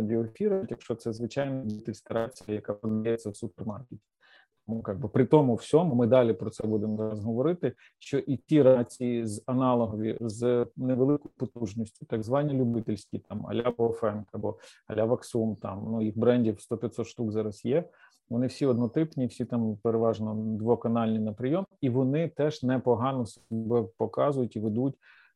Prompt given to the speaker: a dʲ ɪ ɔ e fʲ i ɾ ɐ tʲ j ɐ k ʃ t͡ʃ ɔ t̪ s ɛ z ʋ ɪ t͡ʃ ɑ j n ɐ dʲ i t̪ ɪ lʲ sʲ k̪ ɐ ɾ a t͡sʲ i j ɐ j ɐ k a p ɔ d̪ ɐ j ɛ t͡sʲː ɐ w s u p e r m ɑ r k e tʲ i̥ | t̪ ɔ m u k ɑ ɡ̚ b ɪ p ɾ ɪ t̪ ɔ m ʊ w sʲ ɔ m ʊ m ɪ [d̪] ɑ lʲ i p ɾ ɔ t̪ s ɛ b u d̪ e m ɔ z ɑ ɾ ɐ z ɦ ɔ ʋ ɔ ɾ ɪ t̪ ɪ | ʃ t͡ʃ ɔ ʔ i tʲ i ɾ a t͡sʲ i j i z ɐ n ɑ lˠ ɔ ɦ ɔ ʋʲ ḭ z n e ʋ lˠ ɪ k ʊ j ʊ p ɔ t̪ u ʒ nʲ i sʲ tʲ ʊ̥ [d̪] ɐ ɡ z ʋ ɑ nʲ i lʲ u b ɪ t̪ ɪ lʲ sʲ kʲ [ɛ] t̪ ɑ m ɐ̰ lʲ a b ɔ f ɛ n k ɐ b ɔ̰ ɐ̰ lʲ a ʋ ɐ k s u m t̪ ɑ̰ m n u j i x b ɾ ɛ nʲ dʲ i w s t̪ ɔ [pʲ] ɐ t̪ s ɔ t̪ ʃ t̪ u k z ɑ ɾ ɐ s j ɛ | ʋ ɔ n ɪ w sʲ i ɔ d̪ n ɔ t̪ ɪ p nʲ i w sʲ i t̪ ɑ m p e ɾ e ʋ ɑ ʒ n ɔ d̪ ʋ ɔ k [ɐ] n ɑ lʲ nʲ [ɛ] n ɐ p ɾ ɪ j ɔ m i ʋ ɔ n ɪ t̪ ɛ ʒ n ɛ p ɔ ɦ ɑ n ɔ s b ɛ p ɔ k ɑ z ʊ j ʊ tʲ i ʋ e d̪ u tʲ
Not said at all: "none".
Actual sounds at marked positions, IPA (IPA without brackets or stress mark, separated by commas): d̪, t̪, i, pʲ, ɐ, i